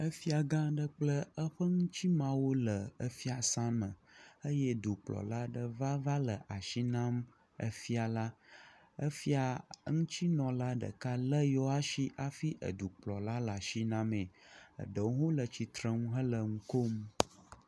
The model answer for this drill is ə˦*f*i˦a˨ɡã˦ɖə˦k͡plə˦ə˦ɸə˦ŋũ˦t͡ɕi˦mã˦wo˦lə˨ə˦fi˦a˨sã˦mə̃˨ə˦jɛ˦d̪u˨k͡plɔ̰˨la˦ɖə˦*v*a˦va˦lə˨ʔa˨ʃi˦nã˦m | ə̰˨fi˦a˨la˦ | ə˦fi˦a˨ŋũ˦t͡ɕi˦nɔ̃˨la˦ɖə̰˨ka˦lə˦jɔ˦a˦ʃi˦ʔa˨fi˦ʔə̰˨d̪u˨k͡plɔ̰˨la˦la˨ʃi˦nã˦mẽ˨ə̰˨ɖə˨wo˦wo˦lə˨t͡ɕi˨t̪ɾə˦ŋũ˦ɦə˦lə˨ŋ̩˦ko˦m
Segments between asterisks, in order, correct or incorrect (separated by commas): correct, correct